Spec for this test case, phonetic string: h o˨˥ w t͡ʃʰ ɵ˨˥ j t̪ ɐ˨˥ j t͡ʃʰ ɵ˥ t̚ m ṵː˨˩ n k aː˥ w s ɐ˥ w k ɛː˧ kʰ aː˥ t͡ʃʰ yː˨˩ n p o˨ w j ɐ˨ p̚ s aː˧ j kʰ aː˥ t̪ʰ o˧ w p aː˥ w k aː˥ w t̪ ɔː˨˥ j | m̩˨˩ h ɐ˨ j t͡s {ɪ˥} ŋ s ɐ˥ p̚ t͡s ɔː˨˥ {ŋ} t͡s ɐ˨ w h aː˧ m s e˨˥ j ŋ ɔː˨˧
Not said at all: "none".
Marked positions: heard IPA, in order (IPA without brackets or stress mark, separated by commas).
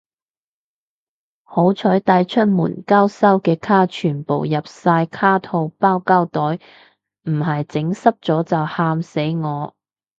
ɪ˨˥, none